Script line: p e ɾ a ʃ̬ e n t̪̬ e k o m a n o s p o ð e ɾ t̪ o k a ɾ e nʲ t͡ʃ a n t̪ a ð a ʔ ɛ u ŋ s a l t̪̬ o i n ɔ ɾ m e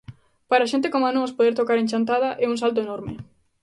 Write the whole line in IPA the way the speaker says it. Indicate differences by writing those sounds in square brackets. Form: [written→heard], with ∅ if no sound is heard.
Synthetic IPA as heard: p [e→a] ɾ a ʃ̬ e n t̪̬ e k o m a n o s p o ð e ɾ t̪ o k a ɾ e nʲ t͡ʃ a n t̪ a ð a ʔ ɛ u ŋ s a l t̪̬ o [i→e] n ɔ ɾ m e

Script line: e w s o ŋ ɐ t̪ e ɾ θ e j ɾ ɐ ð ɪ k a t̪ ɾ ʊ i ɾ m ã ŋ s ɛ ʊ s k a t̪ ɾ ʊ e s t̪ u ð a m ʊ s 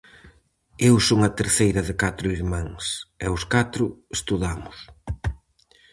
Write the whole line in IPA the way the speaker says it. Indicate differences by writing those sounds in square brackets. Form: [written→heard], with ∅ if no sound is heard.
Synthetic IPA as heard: e w s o ŋ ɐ t̪ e ɾ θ e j ɾ ɐ ð ɪ k a t̪ ɾ ʊ i ɾ m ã ŋ s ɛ ʊ s k a t̪ ɾ ʊ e s t̪ u ð a m ʊ s

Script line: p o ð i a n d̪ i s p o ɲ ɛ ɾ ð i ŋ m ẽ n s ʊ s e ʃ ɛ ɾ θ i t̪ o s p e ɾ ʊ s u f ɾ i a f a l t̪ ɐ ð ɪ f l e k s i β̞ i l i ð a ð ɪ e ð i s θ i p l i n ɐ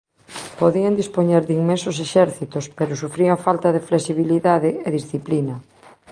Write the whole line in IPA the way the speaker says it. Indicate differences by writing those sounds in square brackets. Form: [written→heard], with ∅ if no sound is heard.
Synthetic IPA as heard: p o ð i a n d̪ i s p o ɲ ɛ ɾ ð i ŋ m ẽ n s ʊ s e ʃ ɛ ɾ θ i t̪ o s p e ɾ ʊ s u f ɾ i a f a l t̪ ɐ ð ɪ f l e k s i β̞ i l i ð a ð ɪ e ð i s θ i p l i n ɐ

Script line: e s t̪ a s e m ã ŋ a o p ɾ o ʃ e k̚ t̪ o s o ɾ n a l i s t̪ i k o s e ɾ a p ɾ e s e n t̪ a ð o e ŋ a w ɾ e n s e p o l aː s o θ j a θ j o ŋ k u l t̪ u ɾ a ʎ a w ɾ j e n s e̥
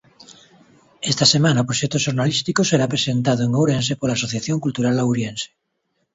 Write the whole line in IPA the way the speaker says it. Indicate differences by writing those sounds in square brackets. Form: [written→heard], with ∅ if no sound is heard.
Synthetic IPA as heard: e s t̪ a s e m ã [ŋ→n] a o p ɾ o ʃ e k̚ t̪ o [s→ʃ] o ɾ n a l i s t̪ i k o s e ɾ a p ɾ e s e n t̪ a ð o e ŋ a w ɾ e n s e p o l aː s o θ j a θ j o ŋ k u l t̪ u ɾ a [ʎ→l] a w ɾ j e n s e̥

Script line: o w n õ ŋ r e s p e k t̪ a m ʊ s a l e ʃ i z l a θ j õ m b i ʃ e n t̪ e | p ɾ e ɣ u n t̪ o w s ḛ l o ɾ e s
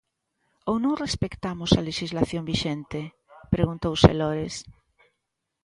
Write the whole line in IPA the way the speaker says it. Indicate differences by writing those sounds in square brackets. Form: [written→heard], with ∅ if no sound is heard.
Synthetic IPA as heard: o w n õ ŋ r e s p e k t̪ a m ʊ s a l e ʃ i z l a θ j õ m b i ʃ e n t̪ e | p ɾ e ɣ u n t̪ o w s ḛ l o ɾ e s

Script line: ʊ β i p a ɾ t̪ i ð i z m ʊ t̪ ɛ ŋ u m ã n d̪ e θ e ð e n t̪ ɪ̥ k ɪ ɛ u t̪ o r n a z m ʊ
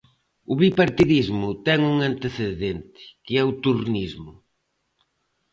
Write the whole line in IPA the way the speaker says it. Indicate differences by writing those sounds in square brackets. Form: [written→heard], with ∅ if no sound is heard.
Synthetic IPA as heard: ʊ β i p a ɾ t̪ i ð i z m ʊ t̪ ɛ ŋ u [m→ŋ] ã n [d̪→t̪] e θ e ð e n t̪ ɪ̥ k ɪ ɛ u t̪ [o→u] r n [a→i] z m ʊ

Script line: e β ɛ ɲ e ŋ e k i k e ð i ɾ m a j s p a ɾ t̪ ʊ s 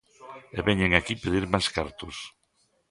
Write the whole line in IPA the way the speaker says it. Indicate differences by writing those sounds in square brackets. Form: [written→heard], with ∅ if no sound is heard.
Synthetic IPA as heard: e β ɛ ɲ e ŋ [e→a] k i [k→p] e ð i ɾ m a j s [p→k] a ɾ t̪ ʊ s

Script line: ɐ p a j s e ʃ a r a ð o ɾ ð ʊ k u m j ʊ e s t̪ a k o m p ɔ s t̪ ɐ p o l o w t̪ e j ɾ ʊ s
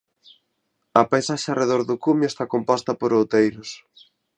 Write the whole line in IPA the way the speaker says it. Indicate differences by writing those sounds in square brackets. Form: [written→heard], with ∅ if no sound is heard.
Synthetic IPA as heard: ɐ p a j s [e→a] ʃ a r [a→e] ð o ɾ ð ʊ k u m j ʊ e s t̪ a k o m p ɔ s t̪ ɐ p o [l→ɾ] o w t̪ e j ɾ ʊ s

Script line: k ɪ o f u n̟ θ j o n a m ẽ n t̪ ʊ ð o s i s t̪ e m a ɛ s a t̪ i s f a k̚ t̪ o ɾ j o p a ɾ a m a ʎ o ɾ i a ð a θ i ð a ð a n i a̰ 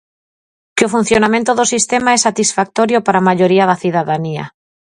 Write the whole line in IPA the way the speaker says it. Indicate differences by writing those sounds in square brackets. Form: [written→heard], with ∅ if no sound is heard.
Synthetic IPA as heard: k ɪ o f u n̟ θ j o n a m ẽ n t̪ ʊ ð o s i s t̪ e m a ɛ s a t̪ i s f a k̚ t̪ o ɾ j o p a ɾ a m a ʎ o ɾ i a ð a θ i ð a ð a n i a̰

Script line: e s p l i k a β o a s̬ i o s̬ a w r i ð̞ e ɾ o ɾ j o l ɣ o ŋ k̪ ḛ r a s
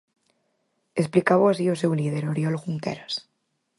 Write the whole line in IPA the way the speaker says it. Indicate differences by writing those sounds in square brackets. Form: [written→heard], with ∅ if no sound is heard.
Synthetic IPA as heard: e s p l i k a β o a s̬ i o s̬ [a→e] w [r→l] i ð̞ e ɾ o ɾ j o l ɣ [o→u] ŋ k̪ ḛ [r→ɾ] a s

